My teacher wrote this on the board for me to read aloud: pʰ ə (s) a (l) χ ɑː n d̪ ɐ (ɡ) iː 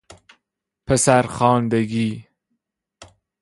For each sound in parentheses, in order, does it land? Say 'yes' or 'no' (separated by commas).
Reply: yes, no, yes